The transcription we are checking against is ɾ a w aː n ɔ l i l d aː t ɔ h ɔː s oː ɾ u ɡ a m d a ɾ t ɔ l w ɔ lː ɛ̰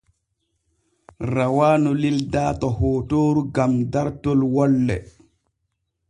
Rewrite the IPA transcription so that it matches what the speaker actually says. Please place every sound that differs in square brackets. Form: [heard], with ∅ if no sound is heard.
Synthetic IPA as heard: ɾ a w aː n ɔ l i l d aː t ɔ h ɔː [t] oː ɾ u ɡ a m d a ɾ t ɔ l w ɔ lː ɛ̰